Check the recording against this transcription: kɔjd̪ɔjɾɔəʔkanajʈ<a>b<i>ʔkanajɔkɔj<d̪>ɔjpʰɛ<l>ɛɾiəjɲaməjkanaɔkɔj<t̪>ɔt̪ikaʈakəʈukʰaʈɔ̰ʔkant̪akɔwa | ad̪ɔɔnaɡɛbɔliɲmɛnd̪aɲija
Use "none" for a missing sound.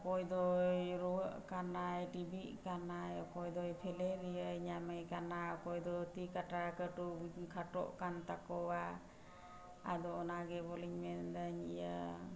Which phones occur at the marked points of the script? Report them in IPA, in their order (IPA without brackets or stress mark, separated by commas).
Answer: i, i, d̪, l, d̪